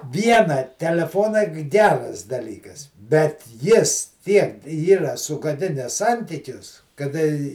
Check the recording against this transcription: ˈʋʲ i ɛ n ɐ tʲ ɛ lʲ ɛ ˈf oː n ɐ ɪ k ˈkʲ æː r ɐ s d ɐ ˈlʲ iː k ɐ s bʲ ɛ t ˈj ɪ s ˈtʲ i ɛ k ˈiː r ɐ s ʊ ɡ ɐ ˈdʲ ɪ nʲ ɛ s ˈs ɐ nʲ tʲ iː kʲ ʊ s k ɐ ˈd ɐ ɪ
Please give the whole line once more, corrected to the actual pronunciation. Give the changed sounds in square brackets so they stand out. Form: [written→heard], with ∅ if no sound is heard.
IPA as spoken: ˈʋʲ i ɛ n ɐ tʲ ɛ lʲ ɛ ˈf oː n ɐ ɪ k [ˈkʲ→ˈɡʲ] æː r ɐ s d ɐ ˈlʲ iː k ɐ s bʲ ɛ t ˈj ɪ s ˈtʲ i ɛ k ˈiː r ɐ s ʊ ɡ ɐ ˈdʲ ɪ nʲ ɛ s ˈs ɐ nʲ tʲ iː kʲ ʊ s k ɐ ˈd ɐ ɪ